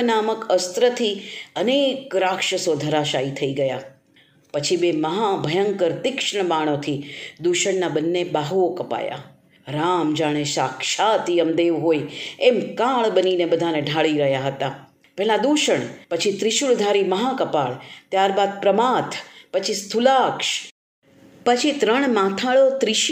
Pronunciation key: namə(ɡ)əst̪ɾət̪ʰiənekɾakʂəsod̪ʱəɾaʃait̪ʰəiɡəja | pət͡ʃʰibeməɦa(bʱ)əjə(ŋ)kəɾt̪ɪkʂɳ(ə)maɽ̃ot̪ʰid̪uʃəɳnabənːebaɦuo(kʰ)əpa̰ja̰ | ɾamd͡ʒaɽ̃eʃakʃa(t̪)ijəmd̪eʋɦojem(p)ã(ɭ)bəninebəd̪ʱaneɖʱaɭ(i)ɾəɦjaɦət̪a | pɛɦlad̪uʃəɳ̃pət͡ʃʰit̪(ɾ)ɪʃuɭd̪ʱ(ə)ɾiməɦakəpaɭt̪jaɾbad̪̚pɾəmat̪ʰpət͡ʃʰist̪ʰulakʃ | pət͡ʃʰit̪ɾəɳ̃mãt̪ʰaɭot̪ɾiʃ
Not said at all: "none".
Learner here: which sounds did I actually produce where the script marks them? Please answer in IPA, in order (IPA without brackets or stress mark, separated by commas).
k, bʱ, ŋ, ə, k, t̪, k, ɭ, i, ɾ, a